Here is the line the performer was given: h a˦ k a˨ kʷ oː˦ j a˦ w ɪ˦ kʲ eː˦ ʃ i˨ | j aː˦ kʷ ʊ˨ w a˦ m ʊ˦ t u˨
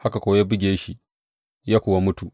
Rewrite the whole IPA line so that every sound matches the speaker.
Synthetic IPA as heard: h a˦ k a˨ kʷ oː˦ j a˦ b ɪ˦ ɡʲ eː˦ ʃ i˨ | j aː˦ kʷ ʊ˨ w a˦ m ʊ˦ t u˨